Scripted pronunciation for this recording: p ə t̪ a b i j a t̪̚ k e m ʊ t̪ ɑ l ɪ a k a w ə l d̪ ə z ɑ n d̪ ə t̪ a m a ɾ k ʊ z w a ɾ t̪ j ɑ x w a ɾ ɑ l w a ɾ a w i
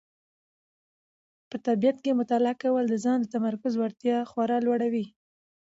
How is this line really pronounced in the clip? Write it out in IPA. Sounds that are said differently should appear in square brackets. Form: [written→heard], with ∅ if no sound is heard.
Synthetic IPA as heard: p ə t̪ a b i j a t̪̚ k e m ʊ t̪ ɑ l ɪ a k a w ə l d̪ ə z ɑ n d̪ ə t̪ a m a ɾ k ʊ z w a ɾ t̪ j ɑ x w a ɾ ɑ l w a [ɾ→ɽ] a w i